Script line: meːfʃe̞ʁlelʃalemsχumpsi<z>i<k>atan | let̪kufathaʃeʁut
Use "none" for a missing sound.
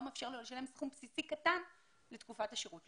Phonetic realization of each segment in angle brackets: s, k

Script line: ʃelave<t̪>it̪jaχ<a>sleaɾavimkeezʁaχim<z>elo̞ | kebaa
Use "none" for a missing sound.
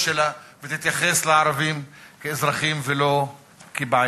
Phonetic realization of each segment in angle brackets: t̪, e, v

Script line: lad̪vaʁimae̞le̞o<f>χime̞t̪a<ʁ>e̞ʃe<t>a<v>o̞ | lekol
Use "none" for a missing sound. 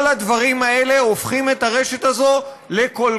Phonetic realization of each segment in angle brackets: f, ʁ, t, z

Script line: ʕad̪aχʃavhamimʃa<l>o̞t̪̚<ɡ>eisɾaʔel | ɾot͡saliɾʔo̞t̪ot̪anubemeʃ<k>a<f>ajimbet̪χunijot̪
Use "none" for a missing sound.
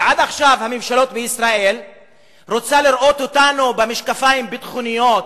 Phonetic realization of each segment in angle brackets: l, b, k, f

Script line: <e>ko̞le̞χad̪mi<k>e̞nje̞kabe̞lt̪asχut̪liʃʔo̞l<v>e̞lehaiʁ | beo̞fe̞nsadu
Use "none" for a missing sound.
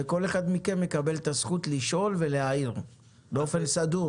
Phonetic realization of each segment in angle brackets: e, k, v

